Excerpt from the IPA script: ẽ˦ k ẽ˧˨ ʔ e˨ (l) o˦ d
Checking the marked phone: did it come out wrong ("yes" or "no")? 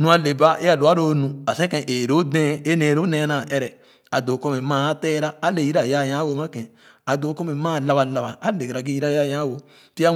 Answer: yes